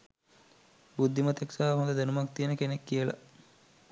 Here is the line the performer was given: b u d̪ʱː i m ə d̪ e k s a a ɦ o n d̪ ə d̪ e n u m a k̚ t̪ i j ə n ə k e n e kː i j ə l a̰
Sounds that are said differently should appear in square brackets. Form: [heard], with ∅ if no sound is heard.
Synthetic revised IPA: b u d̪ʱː i m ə [t̪] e k s a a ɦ o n d̪ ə d̪ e n u m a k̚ t̪ i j ə n ə k e n e kː i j ə l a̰